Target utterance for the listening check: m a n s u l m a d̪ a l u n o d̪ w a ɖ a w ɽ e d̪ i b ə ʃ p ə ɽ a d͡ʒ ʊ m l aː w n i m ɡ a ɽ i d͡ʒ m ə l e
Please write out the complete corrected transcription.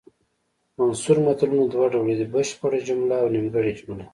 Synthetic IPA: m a n s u ɾ m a t̪ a l u n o d̪ w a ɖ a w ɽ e d̪ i b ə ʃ p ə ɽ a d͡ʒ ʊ m l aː w n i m ɡ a ɽ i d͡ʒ m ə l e

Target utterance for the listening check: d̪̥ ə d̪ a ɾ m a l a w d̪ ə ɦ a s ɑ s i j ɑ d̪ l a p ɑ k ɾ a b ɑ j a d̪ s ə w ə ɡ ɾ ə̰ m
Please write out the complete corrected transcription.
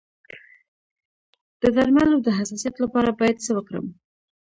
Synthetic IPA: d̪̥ ə d̪ a ɾ m a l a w d̪ ə ɦ a s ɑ s i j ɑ t̪ l a p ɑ ɾ a b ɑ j a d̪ s ə w ə k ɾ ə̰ m

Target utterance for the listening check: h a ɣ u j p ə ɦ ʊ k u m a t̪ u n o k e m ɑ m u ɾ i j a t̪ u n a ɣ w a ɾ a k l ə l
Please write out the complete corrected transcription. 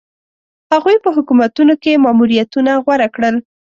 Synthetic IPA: h a ɣ u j p ə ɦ ʊ k u m a t̪ u n o k e m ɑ m u ɾ i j a t̪ u n a ɣ w a ɾ a k ɽ ə l

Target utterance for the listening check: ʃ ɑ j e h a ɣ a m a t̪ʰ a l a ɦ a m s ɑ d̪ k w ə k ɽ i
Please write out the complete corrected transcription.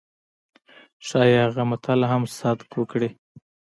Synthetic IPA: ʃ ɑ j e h a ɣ a m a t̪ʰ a l a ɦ a m s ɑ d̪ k w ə k ɽ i

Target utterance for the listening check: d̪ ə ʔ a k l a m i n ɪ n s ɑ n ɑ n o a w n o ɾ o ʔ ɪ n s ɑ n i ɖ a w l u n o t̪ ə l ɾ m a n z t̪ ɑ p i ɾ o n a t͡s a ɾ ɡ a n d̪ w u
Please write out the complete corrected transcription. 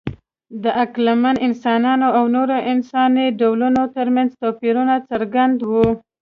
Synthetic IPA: d̪ ə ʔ a k l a m a n ɪ n s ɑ n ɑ n o a w n o ɾ o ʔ ɪ n s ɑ n i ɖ a w l u n o t̪ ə ɾ m a n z t̪ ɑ p i ɾ u n a t͡s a ɾ ɡ a n d̪ w u

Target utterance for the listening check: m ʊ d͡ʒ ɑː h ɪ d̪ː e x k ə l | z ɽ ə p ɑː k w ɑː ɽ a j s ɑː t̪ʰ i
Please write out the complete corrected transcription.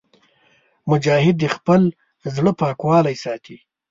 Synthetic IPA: m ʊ d͡ʒ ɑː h ɪ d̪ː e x p ə l | z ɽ ə p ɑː k w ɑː l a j s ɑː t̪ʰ i

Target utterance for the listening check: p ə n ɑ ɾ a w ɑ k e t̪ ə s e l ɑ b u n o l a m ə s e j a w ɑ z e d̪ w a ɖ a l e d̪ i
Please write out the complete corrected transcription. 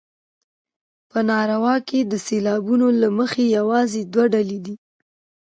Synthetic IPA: p ə n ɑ ɾ a w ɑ k e d̪ ə s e l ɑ b u n o l a m ə x e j a w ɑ z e d̪ w a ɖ a l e d̪ i

